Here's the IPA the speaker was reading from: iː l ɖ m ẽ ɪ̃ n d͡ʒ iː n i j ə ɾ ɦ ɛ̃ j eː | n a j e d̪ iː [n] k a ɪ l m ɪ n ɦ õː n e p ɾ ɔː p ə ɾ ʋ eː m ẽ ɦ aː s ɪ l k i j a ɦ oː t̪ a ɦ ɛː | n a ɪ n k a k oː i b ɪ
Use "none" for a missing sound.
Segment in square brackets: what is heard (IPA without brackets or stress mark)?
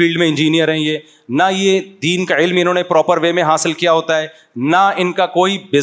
n